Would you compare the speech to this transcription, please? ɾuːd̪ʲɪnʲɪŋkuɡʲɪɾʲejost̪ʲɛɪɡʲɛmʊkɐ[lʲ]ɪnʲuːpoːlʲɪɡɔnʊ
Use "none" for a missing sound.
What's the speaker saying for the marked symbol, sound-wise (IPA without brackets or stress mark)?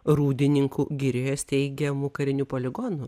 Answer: ɾʲ